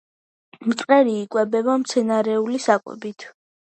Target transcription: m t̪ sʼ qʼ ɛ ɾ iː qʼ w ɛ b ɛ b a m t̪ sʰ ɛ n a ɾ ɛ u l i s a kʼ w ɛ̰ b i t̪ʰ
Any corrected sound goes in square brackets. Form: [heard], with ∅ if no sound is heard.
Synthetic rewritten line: m t̪ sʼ qʼ ɛ ɾ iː [kʼ] w ɛ b ɛ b a m t̪ sʰ ɛ n a ɾ ɛ u l i s a kʼ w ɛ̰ b i t̪ʰ